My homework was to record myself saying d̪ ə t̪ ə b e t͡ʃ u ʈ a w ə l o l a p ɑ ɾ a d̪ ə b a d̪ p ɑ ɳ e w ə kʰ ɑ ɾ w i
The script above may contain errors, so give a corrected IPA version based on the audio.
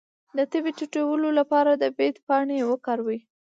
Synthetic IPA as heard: d̪ ə t̪ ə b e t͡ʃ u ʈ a w ə l o l a p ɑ ɾ a d̪ ə b e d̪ p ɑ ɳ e w ə k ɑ ɾ w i